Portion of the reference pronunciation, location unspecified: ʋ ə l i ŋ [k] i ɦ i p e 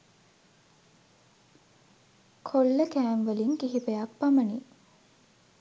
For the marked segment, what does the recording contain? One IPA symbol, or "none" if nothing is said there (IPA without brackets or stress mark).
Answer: k